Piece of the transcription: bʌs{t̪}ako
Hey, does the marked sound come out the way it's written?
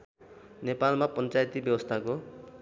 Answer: no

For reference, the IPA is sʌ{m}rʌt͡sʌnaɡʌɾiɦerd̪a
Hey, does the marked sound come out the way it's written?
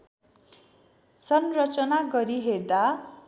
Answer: no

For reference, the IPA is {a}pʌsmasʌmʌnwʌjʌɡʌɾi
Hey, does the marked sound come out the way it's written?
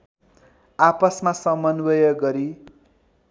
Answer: yes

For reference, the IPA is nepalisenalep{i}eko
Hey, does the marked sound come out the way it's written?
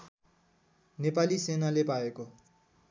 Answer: no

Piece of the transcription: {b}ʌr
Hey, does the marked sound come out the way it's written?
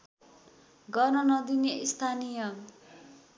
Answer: no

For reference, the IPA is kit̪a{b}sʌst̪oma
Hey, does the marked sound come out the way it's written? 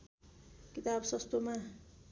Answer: yes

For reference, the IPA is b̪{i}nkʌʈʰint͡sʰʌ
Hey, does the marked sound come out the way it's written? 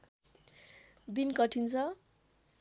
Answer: yes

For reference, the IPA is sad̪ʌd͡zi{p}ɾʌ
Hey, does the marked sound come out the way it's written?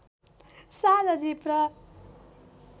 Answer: yes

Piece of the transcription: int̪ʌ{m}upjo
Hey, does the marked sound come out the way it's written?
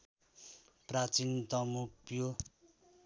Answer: yes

